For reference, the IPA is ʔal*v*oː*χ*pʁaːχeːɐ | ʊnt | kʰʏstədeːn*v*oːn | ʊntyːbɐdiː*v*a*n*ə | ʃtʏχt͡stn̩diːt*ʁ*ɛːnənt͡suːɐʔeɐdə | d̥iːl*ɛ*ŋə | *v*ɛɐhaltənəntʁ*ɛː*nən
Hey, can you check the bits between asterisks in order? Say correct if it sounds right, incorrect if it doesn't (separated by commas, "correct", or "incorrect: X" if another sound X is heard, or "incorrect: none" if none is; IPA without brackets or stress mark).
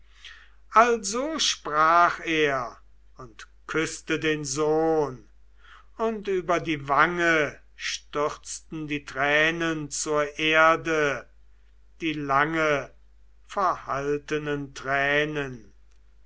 incorrect: z, incorrect: ʃ, incorrect: z, correct, incorrect: ŋ, correct, incorrect: a, incorrect: f, correct